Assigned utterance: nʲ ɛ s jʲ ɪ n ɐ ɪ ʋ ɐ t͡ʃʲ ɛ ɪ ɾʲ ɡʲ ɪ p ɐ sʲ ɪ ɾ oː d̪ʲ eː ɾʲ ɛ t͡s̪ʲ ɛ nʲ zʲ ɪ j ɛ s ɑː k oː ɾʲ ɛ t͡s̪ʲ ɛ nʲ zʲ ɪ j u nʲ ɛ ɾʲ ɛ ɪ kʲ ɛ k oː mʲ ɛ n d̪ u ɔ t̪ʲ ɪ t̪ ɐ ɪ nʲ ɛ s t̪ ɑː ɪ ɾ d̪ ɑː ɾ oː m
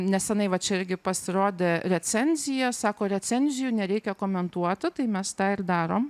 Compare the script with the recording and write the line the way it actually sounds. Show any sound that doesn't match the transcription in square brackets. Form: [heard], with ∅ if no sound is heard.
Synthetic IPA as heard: nʲ ɛ s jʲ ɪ n ɐ ɪ ʋ ɐ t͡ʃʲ ɛ ɪ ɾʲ ɡʲ ɪ p ɐ sʲ ɪ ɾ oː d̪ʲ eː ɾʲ ɛ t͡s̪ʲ ɛ nʲ zʲ ɪ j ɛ s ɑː k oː ɾʲ ɛ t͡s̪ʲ ɛ nʲ zʲ ɪ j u nʲ ɛ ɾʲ ɛ ɪ kʲ ɛ k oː mʲ ɛ n [t̪] u ɔ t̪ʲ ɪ t̪ ɐ ɪ [mʲ] ɛ s t̪ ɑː ɪ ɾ d̪ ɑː ɾ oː m